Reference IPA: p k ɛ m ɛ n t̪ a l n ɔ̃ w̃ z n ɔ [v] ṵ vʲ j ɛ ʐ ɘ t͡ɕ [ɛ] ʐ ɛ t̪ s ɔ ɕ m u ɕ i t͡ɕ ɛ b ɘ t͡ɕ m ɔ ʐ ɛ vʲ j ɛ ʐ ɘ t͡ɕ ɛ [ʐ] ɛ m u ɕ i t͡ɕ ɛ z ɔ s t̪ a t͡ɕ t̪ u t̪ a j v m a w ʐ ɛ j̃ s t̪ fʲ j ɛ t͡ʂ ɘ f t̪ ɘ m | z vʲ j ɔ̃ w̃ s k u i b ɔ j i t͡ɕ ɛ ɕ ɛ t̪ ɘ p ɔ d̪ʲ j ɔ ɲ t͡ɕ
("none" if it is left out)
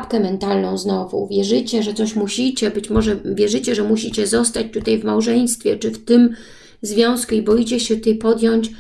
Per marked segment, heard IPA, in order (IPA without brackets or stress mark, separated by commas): v, ɛ, ʐ